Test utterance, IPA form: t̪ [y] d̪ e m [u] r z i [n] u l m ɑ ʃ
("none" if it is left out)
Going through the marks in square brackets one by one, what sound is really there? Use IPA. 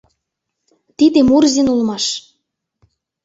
i, u, n

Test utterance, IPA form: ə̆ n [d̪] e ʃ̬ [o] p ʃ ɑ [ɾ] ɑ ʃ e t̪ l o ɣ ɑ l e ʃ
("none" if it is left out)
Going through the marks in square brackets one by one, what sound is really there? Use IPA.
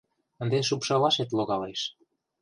d̪, u, l

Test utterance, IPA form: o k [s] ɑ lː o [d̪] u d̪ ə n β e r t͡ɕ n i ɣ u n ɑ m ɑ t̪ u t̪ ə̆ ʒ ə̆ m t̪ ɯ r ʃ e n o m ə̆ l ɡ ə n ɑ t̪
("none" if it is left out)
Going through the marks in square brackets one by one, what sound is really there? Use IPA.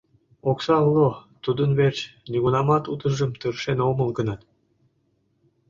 s, t̪

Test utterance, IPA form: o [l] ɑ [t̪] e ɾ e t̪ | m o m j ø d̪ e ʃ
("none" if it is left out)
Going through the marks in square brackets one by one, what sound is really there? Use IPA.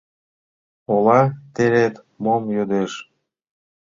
l, t̪

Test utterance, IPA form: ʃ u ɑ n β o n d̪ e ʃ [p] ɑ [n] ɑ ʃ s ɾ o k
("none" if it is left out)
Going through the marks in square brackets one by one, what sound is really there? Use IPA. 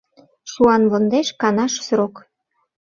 k, n

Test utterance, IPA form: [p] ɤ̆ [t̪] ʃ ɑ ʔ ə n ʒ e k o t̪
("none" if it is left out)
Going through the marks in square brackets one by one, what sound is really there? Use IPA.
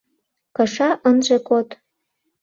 k, none

